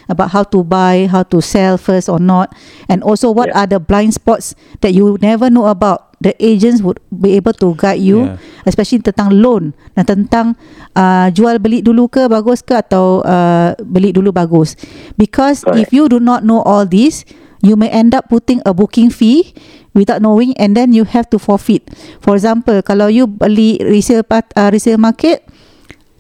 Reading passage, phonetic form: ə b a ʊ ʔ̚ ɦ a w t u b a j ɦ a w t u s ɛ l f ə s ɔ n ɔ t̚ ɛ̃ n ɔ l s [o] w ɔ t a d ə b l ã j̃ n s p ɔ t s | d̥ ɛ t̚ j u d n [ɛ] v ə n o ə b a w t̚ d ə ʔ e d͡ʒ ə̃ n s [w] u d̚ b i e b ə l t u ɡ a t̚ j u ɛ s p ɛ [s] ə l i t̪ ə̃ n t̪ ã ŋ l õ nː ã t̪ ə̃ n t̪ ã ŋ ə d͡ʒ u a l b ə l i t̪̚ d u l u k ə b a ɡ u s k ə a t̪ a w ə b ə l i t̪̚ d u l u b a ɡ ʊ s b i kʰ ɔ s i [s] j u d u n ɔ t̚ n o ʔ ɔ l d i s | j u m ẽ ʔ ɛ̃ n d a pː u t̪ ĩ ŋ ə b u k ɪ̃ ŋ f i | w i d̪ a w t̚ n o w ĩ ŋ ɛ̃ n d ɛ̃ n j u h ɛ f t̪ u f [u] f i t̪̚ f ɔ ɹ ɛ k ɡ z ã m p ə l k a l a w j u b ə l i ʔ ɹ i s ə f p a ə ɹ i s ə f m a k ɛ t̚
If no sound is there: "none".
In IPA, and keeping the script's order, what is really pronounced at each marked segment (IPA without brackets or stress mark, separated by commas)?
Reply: o, ɛ, w, ʃ, f, ɔ